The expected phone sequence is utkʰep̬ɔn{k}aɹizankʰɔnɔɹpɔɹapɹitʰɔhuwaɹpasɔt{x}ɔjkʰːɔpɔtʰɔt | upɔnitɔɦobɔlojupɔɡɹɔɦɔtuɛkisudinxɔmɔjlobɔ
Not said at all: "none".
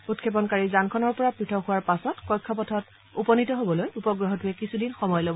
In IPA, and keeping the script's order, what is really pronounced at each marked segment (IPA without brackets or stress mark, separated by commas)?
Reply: k, k